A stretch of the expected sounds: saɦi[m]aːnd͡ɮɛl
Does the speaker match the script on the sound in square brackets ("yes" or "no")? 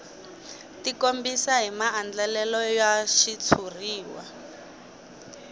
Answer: yes